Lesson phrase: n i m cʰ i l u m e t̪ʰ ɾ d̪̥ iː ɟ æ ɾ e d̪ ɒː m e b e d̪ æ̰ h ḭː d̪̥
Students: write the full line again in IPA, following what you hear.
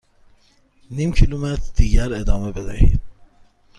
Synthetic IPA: n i m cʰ i l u m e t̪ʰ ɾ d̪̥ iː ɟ æ ɾ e d̪ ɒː m e b e d̪ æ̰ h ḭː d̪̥